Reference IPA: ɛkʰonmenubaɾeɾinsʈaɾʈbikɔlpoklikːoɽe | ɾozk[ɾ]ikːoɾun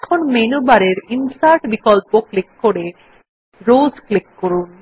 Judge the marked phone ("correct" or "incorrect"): incorrect